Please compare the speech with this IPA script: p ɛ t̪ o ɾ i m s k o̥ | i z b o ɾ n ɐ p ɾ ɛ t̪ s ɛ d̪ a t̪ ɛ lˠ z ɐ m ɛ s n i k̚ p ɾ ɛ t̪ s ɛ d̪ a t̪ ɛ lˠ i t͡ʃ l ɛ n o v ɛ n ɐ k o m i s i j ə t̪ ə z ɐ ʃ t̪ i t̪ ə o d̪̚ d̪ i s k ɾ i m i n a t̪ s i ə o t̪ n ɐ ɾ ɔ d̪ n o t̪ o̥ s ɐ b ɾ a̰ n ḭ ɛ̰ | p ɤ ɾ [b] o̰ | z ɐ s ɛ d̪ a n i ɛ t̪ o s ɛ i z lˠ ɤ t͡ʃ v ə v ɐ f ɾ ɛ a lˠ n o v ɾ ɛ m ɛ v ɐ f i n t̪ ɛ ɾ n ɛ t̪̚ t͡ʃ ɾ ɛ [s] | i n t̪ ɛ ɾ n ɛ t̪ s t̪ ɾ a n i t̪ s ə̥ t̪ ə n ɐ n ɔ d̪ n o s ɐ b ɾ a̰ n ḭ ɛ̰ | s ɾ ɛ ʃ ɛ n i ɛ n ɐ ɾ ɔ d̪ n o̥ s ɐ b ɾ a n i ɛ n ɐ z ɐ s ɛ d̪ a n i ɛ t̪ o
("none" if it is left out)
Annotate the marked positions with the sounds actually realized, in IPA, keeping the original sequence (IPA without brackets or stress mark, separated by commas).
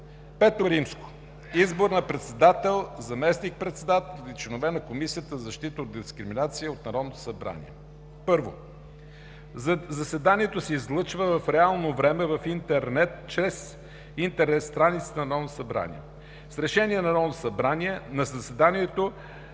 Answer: v, s